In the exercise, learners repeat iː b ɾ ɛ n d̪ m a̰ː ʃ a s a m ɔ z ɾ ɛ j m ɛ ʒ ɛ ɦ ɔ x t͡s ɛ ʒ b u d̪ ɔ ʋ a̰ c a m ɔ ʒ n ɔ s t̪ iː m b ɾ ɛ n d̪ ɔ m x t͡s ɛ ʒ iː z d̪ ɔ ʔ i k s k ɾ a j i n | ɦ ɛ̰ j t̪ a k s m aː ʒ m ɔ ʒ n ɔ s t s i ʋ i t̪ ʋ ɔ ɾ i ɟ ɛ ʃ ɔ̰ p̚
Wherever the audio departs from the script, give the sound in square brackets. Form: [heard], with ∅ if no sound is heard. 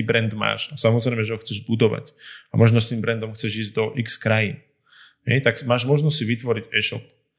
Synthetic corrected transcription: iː b ɾ ɛ n d̪ m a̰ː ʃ a s a m ɔ z ɾ ɛ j m ɛ ʒ ɛ ɦ ɔ x t͡s ɛ ʒ b u d̪ ɔ ʋ a̰ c a m ɔ ʒ n ɔ s t̪ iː m b ɾ ɛ n d̪ ɔ m x t͡s ɛ ʒ iː z d̪ ɔ ʔ i k s k ɾ a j i n | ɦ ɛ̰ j t̪ a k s m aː ʒ m ɔ ʒ n ɔ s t s i ʋ i t̪ ʋ ɔ ɾ i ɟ ɛ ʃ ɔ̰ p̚